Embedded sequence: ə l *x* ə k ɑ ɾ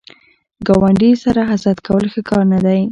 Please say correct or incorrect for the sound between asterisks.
correct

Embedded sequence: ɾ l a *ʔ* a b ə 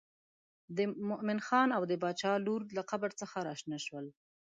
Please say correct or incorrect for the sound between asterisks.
incorrect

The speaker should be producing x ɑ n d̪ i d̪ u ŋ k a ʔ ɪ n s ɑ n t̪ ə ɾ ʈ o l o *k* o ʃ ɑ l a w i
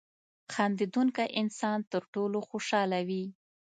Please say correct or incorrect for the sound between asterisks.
incorrect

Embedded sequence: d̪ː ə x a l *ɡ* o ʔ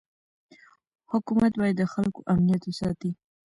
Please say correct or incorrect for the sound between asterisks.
incorrect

